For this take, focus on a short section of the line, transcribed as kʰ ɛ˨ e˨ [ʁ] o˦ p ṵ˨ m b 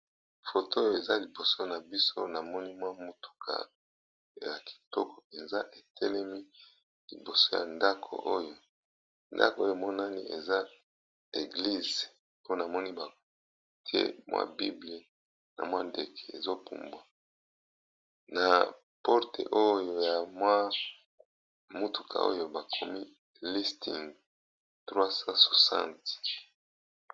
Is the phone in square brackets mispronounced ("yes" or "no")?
yes